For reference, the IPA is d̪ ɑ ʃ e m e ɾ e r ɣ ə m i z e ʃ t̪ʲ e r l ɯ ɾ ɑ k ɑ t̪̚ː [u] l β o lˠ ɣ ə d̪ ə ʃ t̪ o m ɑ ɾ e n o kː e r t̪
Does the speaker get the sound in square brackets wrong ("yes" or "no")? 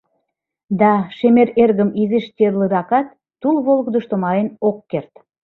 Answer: no